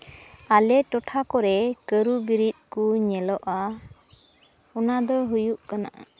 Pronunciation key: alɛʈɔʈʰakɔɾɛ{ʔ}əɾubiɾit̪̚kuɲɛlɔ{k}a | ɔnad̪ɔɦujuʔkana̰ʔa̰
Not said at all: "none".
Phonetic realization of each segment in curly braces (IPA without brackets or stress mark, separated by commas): k, ʔ